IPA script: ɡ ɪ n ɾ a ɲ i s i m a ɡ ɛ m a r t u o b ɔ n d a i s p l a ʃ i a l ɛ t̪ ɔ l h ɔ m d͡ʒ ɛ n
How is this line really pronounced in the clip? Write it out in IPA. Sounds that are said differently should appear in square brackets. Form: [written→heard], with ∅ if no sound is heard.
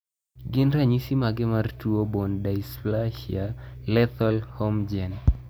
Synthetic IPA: ɡ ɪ n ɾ a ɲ i s i m a ɡ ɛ m a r t u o b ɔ n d a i s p l a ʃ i a l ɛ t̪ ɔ l h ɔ m d͡ʒ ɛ n

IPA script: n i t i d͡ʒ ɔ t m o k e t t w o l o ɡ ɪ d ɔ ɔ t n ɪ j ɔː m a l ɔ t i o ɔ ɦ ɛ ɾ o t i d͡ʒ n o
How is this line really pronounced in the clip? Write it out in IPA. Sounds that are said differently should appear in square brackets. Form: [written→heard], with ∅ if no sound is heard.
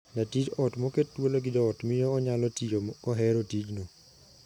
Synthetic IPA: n [i→a] t i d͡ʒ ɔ t m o k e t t w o l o ɡ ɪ d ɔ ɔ t [n→m] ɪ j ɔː [m→ɲ] a l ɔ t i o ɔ ɦ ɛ ɾ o t i d͡ʒ n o

